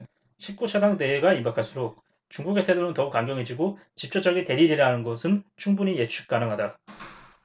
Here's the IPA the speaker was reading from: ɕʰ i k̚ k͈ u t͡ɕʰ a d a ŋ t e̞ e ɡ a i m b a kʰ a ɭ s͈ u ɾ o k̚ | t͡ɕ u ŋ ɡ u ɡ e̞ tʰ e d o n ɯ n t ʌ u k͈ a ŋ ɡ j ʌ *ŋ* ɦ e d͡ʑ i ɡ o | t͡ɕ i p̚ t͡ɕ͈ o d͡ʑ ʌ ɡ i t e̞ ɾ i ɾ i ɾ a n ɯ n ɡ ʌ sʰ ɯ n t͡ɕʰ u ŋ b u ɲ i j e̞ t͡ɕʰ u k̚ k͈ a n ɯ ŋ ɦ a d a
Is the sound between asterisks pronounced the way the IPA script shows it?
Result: yes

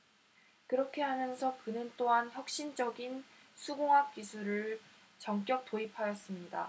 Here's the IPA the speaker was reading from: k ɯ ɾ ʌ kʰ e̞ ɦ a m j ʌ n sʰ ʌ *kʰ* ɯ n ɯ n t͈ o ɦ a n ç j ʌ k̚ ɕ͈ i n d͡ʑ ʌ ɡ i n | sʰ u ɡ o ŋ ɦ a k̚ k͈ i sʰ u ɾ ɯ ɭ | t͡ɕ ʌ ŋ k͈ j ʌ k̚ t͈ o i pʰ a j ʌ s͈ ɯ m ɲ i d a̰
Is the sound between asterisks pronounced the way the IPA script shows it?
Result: no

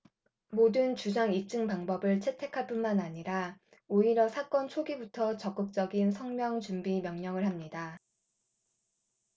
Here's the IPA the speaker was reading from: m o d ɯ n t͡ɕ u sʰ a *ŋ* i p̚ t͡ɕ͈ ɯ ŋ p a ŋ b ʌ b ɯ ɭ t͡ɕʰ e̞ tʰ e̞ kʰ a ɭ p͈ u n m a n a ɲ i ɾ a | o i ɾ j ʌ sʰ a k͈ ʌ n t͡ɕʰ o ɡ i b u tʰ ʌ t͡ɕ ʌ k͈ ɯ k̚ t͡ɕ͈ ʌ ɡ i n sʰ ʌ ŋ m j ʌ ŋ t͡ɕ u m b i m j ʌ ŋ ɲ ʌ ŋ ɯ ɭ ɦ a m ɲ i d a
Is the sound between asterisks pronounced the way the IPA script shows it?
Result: yes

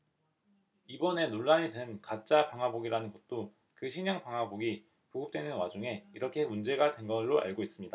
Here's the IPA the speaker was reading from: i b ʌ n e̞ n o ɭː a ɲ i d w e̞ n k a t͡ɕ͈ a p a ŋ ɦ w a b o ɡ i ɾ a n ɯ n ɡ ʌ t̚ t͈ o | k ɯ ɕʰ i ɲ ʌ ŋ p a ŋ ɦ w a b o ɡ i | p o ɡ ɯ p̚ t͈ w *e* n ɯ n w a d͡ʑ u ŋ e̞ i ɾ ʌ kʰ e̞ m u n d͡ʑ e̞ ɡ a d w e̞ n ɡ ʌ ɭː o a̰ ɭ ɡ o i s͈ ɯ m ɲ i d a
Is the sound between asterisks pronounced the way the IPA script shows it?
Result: yes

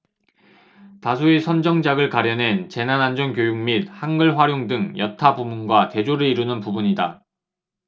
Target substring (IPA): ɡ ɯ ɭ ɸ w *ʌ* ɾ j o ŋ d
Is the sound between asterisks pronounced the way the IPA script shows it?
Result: no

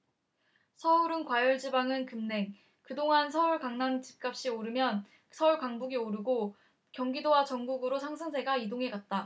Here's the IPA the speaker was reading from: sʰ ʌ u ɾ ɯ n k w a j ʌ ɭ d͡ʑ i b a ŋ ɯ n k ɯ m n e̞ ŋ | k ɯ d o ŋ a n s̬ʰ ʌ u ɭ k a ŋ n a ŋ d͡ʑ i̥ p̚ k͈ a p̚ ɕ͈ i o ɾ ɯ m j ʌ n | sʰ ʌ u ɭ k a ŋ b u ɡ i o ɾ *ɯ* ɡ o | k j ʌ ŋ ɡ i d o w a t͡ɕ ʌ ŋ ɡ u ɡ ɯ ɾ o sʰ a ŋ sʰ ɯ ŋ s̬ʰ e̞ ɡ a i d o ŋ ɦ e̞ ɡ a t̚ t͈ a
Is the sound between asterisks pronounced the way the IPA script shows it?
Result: yes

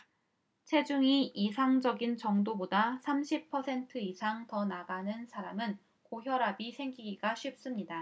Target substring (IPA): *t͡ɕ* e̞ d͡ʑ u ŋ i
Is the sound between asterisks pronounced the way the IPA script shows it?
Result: no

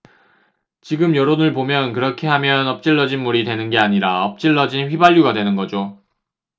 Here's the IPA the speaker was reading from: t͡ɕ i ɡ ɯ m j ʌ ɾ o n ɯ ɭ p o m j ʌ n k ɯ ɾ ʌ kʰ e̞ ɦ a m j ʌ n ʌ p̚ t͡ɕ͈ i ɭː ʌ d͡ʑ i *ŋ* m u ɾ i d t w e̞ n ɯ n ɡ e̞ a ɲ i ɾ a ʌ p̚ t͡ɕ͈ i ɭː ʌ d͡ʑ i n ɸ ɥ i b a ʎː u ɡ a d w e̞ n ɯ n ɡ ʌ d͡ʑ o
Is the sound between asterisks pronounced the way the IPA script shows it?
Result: no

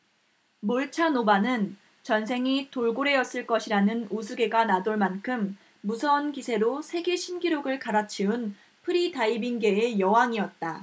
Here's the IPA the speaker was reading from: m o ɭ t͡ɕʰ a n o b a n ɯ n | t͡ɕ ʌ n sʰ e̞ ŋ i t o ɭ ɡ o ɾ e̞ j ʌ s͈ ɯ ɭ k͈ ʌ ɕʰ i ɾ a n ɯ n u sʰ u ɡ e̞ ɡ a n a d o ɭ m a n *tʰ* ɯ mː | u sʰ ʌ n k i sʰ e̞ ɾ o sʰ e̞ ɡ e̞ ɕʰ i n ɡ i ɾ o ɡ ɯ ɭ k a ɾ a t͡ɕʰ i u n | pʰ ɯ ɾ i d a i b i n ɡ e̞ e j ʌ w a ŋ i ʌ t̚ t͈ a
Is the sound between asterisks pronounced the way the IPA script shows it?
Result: no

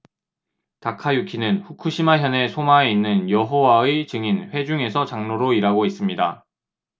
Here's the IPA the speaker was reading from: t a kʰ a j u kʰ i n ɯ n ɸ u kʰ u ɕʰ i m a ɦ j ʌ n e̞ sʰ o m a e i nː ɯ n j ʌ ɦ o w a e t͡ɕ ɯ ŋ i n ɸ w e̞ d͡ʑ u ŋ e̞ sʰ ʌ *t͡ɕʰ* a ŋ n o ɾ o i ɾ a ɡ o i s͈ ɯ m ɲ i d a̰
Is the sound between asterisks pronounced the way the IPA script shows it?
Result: no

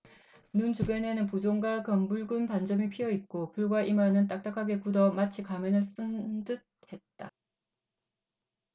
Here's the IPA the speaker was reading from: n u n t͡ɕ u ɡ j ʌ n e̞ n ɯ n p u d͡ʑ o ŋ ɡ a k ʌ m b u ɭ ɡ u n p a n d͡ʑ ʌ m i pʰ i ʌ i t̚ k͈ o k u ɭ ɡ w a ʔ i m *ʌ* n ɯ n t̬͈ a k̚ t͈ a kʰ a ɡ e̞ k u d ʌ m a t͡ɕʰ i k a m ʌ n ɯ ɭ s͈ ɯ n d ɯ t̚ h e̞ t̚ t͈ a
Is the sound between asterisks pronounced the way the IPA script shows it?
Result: no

